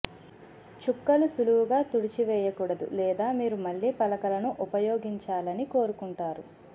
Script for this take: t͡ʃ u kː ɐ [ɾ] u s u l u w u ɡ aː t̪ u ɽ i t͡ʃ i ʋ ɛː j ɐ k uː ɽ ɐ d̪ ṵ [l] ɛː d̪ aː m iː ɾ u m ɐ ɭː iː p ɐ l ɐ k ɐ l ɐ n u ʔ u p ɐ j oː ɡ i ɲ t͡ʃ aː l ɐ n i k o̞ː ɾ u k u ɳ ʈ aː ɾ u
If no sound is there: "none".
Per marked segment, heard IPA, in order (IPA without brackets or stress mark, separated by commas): l, l